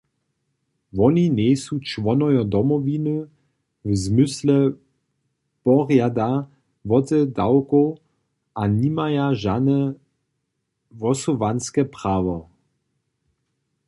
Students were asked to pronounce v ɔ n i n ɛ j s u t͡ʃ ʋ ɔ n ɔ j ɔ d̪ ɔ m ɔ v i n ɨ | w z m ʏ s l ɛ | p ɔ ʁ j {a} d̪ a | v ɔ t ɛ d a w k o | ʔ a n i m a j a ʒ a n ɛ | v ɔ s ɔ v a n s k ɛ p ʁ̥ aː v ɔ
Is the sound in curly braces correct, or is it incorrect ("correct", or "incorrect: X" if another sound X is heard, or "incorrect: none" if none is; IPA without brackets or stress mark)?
correct